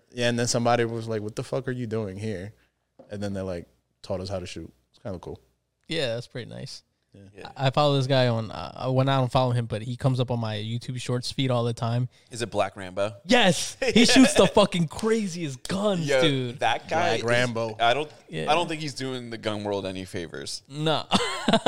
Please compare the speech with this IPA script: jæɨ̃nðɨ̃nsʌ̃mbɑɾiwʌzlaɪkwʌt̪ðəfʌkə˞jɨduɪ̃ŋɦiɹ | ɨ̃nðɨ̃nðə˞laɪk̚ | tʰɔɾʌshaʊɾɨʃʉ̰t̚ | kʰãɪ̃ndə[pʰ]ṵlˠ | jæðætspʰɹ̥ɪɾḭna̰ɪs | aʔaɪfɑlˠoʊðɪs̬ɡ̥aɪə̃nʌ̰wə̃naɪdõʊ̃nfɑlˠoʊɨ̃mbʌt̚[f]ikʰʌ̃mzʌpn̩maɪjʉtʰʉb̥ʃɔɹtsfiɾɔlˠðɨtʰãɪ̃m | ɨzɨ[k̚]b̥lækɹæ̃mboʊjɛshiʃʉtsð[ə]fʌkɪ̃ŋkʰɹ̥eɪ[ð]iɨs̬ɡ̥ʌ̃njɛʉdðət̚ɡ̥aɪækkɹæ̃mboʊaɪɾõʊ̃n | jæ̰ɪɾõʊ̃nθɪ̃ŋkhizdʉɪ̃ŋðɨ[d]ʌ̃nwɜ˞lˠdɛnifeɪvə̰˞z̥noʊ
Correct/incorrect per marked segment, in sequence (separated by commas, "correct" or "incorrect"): incorrect, incorrect, incorrect, correct, incorrect, incorrect